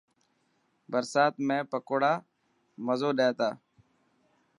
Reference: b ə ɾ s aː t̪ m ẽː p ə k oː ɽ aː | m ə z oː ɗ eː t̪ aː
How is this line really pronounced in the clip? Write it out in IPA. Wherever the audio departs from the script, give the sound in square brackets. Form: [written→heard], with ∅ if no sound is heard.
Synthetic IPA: b ə ɾ s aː t̪ m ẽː p ə k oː ɽ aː | m ə z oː ɗ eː t̪ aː